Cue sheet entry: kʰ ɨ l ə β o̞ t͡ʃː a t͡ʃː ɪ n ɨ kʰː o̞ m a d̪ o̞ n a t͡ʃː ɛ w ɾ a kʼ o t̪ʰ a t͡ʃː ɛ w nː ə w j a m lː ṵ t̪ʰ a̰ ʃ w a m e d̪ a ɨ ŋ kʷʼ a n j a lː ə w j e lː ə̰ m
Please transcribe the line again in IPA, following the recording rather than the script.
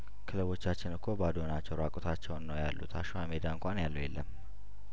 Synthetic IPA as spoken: kʰ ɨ l ə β o̞ t͡ʃː a t͡ʃː ɪ n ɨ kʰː o̞ b a d̪ o̞ n a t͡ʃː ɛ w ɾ a kʼ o t̪ʰ a t͡ʃː ɛ w nː ə w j a lː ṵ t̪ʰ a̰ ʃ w a m e d̪ a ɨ ŋ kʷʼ a n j a lː ə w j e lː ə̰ m

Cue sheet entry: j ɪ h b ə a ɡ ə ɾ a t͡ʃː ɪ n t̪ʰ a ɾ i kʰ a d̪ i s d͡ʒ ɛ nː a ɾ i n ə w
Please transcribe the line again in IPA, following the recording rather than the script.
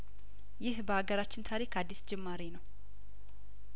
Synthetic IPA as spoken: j ɪ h b ə a ɡ ə ɾ a t͡ʃː ɪ n t̪ʰ a ɾ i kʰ a d̪ː i s d͡ʒ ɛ mː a ɾ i n ə w

